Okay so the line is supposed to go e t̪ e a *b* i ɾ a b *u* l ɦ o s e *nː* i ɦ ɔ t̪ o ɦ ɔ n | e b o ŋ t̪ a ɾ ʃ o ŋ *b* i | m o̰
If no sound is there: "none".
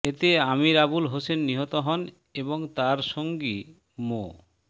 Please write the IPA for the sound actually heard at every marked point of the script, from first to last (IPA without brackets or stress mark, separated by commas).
m, u, nː, ɡ